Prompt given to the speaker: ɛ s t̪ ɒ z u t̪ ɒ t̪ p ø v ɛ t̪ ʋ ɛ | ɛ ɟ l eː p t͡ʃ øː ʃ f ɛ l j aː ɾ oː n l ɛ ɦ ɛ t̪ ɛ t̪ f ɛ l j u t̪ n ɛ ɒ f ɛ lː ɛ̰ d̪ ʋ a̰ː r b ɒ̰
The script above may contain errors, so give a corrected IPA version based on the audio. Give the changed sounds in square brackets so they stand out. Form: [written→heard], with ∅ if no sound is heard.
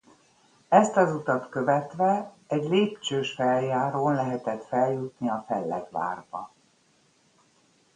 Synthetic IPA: ɛ s t̪ ɒ z u t̪ ɒ t̪ [p→k] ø v ɛ t̪ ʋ ɛ | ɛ ɟ l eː p t͡ʃ øː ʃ f ɛ l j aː ɾ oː n l ɛ ɦ ɛ t̪ ɛ t̪ f ɛ l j u t̪ n [ɛ→i] ɒ f ɛ lː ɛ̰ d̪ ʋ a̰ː r b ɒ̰